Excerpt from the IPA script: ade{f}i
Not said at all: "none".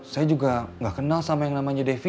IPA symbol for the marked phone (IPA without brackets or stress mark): f